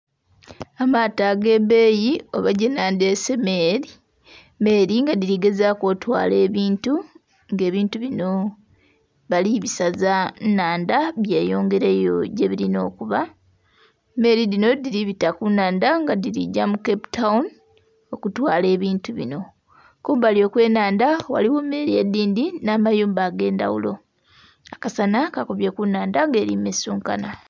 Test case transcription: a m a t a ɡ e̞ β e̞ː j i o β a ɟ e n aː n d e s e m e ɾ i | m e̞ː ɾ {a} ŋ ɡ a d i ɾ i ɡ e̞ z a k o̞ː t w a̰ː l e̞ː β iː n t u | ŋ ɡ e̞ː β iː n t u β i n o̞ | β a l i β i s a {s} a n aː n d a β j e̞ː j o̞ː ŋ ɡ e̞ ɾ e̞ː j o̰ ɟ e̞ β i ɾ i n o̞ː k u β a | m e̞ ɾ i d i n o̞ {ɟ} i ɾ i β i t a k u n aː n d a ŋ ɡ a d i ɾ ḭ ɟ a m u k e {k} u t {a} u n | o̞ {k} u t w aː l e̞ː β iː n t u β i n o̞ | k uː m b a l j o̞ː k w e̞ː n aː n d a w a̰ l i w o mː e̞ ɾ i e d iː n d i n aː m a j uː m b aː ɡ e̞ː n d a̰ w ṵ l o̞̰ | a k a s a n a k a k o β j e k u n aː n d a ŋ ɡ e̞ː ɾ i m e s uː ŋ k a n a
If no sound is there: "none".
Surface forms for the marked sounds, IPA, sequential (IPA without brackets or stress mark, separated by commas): i, z, d, p, a, k